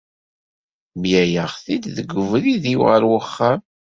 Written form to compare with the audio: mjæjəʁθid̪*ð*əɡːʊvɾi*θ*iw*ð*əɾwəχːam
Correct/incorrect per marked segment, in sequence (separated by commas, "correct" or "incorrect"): correct, incorrect, incorrect